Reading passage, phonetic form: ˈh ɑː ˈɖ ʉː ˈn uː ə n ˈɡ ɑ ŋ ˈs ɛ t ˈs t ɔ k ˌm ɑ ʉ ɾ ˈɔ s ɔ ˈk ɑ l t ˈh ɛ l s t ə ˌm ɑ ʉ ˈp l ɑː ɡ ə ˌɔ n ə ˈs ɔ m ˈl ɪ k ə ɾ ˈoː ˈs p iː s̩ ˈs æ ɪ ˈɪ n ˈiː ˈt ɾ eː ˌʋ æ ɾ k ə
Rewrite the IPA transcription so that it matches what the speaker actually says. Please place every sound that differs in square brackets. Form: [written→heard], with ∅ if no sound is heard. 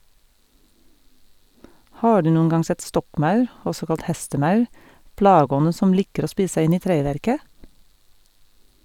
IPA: ˈh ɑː ˈɖ ʉː ˈn uː ə n ˈɡ ɑ ŋ ˈs ɛ t ˈs t ɔ k ˌm ɑ ʉ ɾ ˈɔ s ɔ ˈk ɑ l t ˈh ɛ [l→∅] s t ə ˌm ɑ ʉ ˈp l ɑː ɡ ə ˌɔ n ə ˈs ɔ m ˈl ɪ k ə ɾ ˈoː ˈs p iː s̩ ˈs æ ɪ ˈɪ n ˈiː ˈt ɾ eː ˌʋ æ ɾ k ə